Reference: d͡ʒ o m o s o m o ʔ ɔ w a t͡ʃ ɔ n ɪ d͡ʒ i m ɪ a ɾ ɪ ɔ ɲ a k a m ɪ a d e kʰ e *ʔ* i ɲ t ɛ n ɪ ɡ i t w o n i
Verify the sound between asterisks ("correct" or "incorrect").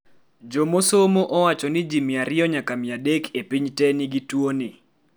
incorrect